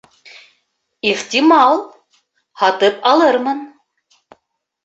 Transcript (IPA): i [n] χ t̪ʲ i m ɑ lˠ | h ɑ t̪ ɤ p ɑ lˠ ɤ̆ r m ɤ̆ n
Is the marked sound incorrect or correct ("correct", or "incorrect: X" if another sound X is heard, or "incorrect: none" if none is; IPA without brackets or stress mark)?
incorrect: none